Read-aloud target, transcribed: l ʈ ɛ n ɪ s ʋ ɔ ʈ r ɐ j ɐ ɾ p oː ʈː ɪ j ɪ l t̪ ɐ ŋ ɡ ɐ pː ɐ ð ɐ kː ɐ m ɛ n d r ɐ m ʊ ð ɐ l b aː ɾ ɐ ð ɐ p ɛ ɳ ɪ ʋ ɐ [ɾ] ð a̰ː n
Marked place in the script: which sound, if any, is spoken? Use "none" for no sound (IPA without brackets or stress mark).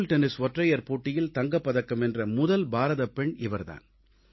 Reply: ɾ